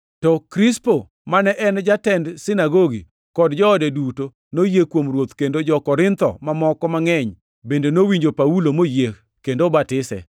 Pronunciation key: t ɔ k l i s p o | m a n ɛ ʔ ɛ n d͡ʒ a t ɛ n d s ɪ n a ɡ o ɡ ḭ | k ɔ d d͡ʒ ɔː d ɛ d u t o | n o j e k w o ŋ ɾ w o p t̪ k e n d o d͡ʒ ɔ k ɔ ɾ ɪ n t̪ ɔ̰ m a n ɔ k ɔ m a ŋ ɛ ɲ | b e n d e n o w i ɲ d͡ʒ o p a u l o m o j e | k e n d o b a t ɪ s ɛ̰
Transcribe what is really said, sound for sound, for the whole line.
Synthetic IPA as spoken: t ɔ k ɾ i s p o | m a n ɛ ʔ ɛ n d͡ʒ a t ɛ n d s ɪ n a ɡ o ɡ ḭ | k ɔ d d͡ʒ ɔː d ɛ d u t o | n o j e k w o m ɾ w o t̪ k e n d o d͡ʒ ɔ k ɔ ɾ ɪ n t̪ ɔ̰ m a m ɔ k ɔ m a ŋ ɛ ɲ | b e n d e n o w i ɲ d͡ʒ o p a u l o m o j e | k e n d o b a t ɪ s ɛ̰